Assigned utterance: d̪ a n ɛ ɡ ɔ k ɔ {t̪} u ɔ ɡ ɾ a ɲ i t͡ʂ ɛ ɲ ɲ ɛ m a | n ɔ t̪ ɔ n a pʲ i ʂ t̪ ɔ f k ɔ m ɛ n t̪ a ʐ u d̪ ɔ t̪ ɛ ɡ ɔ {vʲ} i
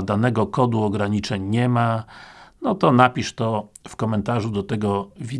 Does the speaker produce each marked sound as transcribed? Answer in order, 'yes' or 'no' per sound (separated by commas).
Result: no, yes